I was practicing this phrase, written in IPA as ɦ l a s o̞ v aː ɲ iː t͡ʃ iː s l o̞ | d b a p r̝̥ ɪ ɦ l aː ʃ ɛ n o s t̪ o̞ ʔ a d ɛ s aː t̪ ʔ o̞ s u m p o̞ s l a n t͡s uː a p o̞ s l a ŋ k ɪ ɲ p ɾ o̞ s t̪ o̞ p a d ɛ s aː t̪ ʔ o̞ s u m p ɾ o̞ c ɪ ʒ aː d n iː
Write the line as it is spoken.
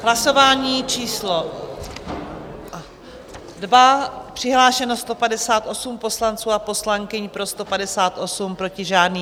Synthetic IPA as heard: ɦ l a s o̞ v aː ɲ iː t͡ʃ iː s l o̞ | d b a p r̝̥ ɪ ɦ l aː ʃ ɛ n o s t̪ o̞ p a d ɛ s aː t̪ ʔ o̞ s u m p o̞ s l a n t͡s uː a p o̞ s l a ŋ k ɪ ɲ p ɾ o̞ s t̪ o̞ p a d ɛ s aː t̪ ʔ o̞ s u m p ɾ o̞ c ɪ ʒ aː d n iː